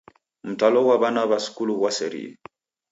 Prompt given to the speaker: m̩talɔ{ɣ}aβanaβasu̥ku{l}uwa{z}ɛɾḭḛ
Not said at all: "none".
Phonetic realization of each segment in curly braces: w, l, s

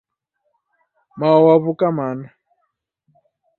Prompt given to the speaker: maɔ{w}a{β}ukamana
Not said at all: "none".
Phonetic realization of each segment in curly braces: w, β

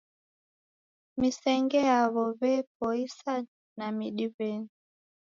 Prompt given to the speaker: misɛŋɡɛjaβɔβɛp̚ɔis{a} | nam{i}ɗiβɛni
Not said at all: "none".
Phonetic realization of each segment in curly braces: a, i

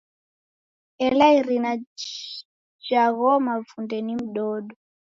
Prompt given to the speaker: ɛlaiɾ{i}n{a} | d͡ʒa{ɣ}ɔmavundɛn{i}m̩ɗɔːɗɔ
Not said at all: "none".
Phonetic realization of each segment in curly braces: i, a, ɣ, i

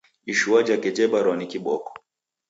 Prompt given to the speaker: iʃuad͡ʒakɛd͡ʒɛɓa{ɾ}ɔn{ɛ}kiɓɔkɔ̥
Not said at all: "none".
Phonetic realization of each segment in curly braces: ɾ, i

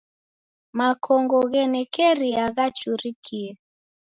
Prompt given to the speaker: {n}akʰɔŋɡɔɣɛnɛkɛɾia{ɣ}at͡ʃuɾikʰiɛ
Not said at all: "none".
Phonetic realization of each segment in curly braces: m, ɣ

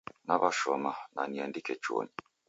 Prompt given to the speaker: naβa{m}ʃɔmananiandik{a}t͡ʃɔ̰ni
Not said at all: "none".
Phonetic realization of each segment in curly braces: none, ɛ

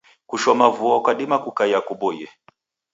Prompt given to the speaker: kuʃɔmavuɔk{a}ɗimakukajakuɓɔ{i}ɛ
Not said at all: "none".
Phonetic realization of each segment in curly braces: a, j

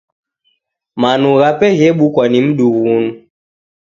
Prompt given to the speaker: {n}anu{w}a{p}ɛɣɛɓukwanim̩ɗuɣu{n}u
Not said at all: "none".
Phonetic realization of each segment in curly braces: m, ɣ, p, n

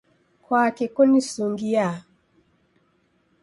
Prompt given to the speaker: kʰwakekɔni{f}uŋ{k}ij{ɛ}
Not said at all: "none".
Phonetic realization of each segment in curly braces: s, ɡ, a

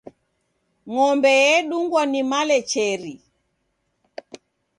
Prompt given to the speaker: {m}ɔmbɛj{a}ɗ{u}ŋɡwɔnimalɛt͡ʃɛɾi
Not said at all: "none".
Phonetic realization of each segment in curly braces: ŋ, ɛ, u

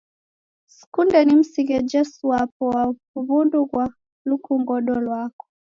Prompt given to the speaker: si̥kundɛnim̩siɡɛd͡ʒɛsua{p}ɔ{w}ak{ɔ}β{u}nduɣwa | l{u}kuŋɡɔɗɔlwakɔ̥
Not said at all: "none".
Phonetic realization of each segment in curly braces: p, w, u, u, u

